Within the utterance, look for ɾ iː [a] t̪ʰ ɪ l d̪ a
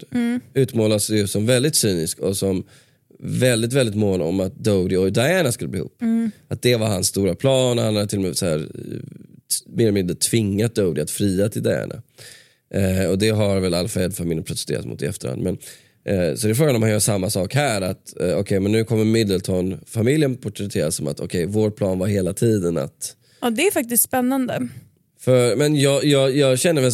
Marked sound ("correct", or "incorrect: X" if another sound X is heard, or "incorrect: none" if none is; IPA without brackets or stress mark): correct